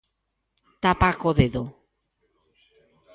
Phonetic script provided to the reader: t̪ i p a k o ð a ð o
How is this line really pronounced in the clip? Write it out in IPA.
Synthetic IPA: t̪ a p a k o ð e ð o

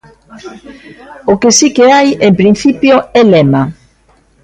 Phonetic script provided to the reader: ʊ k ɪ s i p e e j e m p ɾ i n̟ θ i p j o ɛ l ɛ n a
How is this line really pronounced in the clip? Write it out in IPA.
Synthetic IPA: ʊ k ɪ s i k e a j e m p ɾ i n̟ θ i p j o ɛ l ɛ m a

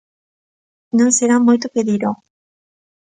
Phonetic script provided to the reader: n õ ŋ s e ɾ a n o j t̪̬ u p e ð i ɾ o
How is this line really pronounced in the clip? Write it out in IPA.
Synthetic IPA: n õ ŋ s e ɾ a m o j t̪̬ o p e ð i ɾ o

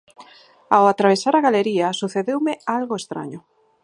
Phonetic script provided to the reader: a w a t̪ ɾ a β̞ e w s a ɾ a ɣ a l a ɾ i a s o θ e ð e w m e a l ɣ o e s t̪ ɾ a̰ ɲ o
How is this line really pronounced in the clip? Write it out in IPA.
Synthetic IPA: a w a t̪ ɾ a β̞ e s a ɾ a ɣ a l e ɾ i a s u θ e ð e w m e a l ɣ o e s t̪ ɾ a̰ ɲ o

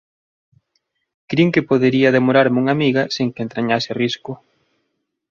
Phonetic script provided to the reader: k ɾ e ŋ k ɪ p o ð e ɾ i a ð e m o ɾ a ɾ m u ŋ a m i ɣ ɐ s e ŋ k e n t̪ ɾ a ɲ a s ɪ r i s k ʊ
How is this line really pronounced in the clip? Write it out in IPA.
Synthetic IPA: k ɾ i ŋ k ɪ p o ð e ɾ i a ð e m o ɾ a ɾ m u ŋ a m i ɣ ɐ s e ŋ k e n t̪ ɾ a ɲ a s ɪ r i s k ʊ

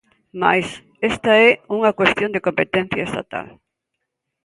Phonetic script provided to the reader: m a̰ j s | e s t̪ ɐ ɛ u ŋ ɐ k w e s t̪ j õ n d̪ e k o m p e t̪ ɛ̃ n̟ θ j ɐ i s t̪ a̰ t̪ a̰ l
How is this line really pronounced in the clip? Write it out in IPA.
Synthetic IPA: m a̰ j s | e s t̪ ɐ ɛ u ŋ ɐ k w e s t̪ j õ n d̪ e k o m p e t̪ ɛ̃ n̟ θ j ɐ e s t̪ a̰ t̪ a̰ l

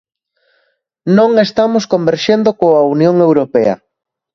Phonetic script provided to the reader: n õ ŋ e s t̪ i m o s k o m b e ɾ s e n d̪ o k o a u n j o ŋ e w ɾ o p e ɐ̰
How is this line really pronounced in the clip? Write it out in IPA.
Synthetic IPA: n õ ŋ e s t̪ a m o s k o m b e ɾ ʃ e n d̪ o k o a u n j o ŋ e w ɾ o p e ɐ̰

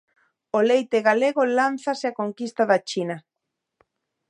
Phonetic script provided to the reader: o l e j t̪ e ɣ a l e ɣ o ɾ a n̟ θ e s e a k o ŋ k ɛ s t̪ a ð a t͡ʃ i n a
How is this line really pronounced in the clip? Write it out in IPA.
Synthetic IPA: o l e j t̪ e ɣ a l e ɣ o l a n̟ θ a s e a k o ŋ k i s t̪ a ð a t͡ʃ i n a

